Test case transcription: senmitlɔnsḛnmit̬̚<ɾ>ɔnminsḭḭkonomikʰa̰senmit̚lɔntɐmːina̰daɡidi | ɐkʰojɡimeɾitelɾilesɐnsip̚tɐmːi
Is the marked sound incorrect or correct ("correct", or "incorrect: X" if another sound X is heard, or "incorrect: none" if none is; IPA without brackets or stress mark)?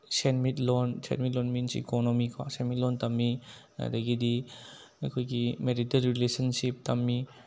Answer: incorrect: l